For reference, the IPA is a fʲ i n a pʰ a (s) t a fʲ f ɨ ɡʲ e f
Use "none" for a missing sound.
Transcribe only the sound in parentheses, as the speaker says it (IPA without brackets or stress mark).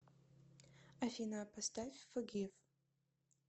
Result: s